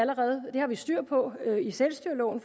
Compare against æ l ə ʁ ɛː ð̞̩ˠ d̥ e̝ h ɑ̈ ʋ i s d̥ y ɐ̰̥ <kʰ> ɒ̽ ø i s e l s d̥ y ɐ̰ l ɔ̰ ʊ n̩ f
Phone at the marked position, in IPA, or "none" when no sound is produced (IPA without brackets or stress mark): pʰ